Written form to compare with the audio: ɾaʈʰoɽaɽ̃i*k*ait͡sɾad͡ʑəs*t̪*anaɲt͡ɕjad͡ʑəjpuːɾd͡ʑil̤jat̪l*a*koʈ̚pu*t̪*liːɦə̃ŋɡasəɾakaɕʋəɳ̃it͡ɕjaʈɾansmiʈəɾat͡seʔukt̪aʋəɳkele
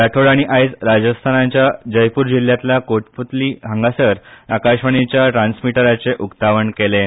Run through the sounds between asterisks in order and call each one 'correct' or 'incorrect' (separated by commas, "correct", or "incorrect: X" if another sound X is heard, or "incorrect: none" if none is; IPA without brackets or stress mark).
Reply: incorrect: ʔ, incorrect: t̪ʰ, correct, correct